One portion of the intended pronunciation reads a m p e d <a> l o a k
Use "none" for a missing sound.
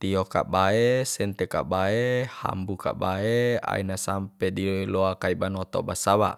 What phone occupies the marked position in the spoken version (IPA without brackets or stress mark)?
i